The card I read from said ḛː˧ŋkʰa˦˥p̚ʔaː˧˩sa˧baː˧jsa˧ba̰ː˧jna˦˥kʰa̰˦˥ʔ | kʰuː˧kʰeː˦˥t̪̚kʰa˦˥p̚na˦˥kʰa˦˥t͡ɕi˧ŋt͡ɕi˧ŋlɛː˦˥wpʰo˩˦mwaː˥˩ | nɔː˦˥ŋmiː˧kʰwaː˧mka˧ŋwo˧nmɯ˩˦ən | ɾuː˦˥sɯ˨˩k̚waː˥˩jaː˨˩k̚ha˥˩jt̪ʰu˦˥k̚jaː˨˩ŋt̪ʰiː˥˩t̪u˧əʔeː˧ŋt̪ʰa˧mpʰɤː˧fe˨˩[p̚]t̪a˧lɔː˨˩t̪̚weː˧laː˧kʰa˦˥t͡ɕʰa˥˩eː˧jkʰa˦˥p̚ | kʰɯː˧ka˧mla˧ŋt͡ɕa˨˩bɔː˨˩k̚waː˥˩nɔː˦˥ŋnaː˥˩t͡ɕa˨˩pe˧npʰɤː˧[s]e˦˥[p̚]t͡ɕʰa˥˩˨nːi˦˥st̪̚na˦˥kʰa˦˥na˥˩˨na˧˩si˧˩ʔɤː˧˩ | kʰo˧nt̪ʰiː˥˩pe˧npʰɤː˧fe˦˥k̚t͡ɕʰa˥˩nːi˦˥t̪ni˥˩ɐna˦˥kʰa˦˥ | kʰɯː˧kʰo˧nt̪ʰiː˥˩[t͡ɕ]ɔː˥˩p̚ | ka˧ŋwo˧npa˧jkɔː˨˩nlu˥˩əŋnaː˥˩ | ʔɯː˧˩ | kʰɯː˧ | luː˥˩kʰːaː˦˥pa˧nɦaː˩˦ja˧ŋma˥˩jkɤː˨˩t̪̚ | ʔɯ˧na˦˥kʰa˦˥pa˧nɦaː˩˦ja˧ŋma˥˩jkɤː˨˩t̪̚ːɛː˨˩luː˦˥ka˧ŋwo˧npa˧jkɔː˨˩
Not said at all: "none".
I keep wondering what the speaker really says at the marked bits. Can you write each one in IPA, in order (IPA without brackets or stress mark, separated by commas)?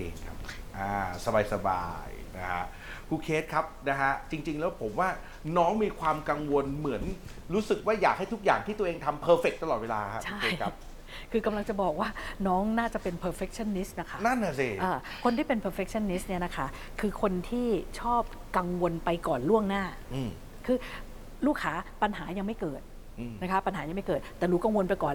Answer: k̚, f, k̚, t͡ɕʰ